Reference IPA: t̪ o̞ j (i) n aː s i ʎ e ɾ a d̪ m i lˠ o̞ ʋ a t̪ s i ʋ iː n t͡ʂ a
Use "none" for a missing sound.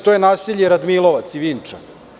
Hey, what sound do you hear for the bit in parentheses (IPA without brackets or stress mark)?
e